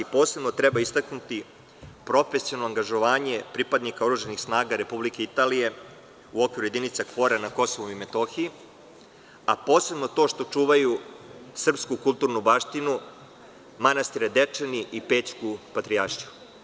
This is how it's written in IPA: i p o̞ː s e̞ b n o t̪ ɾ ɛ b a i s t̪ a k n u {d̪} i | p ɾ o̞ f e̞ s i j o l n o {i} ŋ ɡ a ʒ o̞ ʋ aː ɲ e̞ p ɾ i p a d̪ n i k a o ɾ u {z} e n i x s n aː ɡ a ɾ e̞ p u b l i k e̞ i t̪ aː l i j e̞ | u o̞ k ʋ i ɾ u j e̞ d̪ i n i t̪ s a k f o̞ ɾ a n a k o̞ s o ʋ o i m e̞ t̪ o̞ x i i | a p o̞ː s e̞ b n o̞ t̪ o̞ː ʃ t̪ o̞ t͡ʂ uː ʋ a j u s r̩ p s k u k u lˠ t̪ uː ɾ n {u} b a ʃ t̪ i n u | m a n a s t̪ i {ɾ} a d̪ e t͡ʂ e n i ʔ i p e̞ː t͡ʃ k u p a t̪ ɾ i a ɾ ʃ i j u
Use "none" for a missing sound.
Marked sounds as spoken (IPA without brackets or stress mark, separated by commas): t̪, a, ʒ, u, ɾ